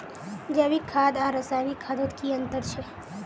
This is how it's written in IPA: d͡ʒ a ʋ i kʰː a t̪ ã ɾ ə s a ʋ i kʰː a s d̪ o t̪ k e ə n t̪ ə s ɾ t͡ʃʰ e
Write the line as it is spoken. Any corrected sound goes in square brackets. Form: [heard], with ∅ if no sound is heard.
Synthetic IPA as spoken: d͡ʒ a ʋ i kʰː a [d̪] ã ɾ ə s a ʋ i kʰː a [∅] d̪ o t̪ k [i] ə n t̪ ə [∅] ɾ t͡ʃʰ e